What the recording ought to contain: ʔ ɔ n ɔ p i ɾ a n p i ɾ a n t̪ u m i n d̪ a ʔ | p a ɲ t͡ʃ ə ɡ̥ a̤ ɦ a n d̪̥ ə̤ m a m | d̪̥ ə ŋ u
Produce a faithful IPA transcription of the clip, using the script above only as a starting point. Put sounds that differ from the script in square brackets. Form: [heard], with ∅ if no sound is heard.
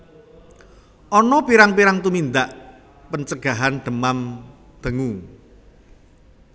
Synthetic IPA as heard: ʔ ɔ n ɔ p i ɾ a [ŋ] p i ɾ a [ŋ] t̪ u m i n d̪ a ʔ | p [ə] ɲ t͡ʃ ə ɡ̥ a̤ ɦ a n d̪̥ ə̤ m a m | d̪̥ ə ŋ u